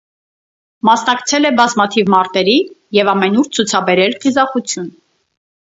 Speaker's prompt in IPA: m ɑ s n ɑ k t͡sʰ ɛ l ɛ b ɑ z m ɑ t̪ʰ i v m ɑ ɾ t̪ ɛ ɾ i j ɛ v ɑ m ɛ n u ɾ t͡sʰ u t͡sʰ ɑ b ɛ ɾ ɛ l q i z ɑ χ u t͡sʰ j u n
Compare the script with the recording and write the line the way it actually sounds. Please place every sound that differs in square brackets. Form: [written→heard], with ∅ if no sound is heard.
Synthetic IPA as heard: m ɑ s n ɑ k t͡sʰ ɛ l ɛ b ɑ z m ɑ t̪ʰ i v m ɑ ɾ t̪ ɛ ɾ i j ɛ v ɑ m ɛ n u ɾ t͡sʰ u t͡sʰ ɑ b ɛ ɾ ɛ l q i z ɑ χ u t͡sʰ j u n

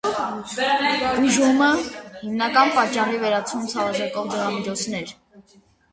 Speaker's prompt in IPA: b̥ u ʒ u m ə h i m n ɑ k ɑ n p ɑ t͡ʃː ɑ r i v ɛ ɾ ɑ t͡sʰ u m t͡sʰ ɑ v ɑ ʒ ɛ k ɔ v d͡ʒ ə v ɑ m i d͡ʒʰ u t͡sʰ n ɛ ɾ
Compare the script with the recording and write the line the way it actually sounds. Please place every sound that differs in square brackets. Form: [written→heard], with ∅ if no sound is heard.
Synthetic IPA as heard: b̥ u ʒ u m ə h i m n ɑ k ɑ n p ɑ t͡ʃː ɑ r i v ɛ ɾ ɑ t͡sʰ u m t͡sʰ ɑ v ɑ ʒ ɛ k ɔ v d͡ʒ ə [v→ʁ] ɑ m i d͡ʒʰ [u→ɔ] t͡sʰ n ɛ ɾ

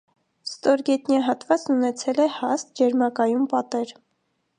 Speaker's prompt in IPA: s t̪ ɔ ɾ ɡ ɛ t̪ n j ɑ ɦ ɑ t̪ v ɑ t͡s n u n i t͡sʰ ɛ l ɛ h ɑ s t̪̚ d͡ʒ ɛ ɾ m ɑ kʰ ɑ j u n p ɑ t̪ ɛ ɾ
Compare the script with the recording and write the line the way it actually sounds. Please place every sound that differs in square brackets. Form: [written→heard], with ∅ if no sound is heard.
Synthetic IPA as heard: s t̪ ɔ ɾ ɡ ɛ t̪ n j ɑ ɦ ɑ t̪ v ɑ t͡s n u n [i→ɛ] t͡sʰ ɛ l ɛ h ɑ s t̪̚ d͡ʒ ɛ ɾ m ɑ [kʰ→k] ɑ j u [n→m] p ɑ t̪ ɛ ɾ

